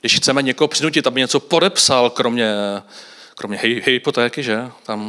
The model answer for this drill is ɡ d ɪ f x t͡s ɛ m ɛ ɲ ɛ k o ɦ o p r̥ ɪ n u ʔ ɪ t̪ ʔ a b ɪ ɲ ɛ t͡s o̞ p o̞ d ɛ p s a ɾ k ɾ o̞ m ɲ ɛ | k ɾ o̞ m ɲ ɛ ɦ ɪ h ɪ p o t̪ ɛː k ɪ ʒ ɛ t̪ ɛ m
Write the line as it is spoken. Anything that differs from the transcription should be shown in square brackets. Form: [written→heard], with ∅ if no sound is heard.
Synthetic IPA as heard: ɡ d ɪ [f→ʃ] x t͡s ɛ m ɛ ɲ ɛ k o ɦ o p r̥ ɪ n u [ʔ→c] ɪ t̪ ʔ a b ɪ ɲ ɛ t͡s o̞ p o̞ d ɛ p s a [ɾ→l] k ɾ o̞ m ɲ ɛ | k ɾ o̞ m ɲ ɛ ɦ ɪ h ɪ p o t̪ ɛː k ɪ ʒ ɛ t̪ [ɛ→a] m